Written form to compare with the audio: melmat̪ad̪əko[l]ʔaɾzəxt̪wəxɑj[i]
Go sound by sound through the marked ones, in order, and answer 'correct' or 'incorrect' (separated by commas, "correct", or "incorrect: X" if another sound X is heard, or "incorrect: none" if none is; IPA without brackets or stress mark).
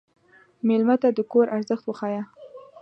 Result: incorrect: ɾ, incorrect: a